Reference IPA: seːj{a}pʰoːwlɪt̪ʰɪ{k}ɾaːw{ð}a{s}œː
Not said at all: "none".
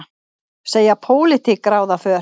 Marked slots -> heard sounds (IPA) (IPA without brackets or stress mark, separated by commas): a, k, ð, f